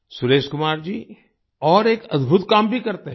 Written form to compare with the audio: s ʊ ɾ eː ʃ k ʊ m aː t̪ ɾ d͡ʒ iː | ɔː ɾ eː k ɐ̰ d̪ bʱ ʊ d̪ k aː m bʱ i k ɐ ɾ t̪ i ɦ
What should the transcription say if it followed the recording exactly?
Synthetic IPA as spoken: s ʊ ɾ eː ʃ k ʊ m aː ɾ d͡ʒ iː | ɔː ɾ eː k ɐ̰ d̪ bʱ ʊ t̪ k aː m bʱ i k ɐ ɾ t̪ e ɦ